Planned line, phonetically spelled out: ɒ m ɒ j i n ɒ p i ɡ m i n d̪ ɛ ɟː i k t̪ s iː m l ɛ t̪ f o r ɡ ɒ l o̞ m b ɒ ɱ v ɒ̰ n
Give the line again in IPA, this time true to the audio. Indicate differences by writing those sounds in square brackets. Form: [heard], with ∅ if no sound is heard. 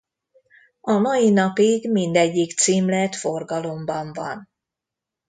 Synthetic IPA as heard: ɒ m ɒ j i n ɒ p i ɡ m i n d̪ ɛ ɟː i k t̪ s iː m l ɛ t̪ f o r ɡ ɒ l o̞ m b ɒ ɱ v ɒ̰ n